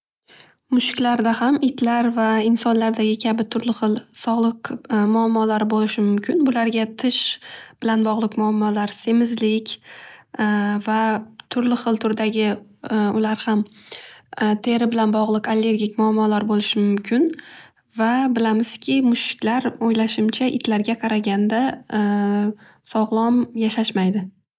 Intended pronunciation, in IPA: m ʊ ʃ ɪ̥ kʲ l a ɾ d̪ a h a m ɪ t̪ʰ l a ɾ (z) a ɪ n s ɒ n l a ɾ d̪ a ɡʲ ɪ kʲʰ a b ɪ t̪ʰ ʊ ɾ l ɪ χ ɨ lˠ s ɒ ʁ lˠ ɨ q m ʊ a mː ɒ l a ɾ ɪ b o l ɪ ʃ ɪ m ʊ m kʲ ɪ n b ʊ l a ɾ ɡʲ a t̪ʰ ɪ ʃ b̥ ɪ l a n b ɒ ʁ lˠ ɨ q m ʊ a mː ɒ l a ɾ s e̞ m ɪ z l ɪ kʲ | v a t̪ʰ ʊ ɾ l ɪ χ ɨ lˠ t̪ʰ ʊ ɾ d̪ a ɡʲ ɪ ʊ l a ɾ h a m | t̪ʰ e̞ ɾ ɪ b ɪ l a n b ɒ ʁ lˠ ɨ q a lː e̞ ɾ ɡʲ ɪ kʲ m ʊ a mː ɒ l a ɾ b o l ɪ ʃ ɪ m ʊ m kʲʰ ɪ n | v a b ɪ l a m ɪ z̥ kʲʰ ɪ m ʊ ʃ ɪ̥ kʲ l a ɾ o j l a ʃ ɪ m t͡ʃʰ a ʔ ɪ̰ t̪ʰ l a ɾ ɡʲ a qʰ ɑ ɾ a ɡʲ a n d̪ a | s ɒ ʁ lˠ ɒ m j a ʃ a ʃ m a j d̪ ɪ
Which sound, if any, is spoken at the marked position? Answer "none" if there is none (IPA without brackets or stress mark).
v